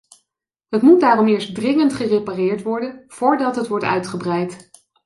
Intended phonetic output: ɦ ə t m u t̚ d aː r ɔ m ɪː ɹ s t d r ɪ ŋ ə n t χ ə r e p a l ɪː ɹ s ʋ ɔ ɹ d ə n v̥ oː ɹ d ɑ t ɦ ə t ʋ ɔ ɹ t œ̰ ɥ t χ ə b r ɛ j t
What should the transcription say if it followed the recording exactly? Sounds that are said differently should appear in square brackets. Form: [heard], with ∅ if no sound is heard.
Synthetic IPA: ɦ ə t m u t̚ d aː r ɔ m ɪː ɹ s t d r ɪ ŋ ə n t χ ə r e p a [r] ɪː ɹ [t] ʋ ɔ ɹ d ə n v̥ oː ɹ d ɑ t ɦ ə t ʋ ɔ ɹ t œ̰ ɥ t χ ə b r ɛ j t